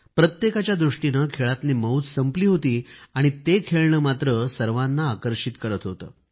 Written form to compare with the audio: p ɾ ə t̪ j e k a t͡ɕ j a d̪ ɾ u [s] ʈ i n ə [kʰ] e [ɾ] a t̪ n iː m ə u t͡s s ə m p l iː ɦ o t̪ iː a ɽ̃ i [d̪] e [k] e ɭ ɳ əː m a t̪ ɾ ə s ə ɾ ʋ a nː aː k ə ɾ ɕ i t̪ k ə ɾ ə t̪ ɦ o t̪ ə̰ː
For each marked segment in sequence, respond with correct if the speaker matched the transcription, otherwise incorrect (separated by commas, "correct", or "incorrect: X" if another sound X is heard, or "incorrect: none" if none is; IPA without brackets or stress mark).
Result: incorrect: ʂ, correct, incorrect: ɭ, incorrect: t̪, incorrect: kʰ